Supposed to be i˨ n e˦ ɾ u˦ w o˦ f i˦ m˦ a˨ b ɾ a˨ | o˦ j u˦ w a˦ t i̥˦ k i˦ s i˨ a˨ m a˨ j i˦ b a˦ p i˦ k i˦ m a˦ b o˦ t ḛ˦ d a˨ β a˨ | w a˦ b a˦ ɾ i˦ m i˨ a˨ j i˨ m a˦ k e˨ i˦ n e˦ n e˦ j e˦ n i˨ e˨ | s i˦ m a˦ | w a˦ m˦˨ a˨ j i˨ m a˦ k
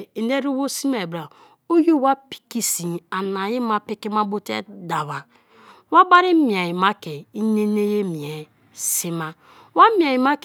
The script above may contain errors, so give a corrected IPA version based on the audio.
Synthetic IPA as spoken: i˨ n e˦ ɾ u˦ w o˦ s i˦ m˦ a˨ b ɾ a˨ | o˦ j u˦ w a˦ p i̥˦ k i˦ s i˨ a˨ n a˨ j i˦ m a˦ p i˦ k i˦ m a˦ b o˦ t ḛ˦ d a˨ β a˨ | w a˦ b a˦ ɾ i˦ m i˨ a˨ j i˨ m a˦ k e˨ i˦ n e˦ n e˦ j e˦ m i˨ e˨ | s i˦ m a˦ | w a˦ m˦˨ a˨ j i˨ m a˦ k